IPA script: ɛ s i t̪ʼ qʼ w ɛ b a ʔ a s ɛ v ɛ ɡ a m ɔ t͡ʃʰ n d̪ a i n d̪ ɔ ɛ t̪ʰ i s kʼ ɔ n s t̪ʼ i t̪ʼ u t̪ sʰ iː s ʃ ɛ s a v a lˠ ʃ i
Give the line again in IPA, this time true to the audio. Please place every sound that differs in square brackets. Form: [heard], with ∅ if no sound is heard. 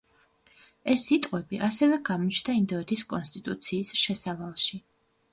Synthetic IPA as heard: ɛ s i t̪ʼ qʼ w ɛ b [i] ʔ a s ɛ v ɛ ɡ a m ɔ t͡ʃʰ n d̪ a i n d̪ ɔ ɛ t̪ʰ i s kʼ ɔ n s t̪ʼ i t̪ʼ u t̪ sʰ iː s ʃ ɛ s a v a lˠ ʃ i